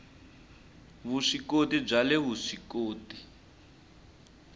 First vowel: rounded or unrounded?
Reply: rounded